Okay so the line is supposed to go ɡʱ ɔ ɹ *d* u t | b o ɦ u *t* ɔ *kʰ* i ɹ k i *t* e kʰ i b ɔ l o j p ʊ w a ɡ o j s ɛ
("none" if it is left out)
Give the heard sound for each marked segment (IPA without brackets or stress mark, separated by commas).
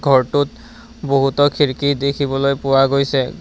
t, t, kʰ, d